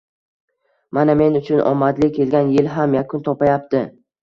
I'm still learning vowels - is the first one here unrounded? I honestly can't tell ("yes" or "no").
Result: yes